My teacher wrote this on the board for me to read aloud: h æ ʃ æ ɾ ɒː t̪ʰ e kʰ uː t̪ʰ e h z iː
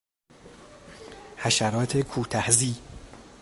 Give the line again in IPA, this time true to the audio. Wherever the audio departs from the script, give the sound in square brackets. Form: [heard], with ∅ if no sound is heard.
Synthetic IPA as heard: h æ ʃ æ ɾ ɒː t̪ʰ e kʰ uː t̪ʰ [æ] h z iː